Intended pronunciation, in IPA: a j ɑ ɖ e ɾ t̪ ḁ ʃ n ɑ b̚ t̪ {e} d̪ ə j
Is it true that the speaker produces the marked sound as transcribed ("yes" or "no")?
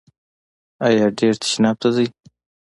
no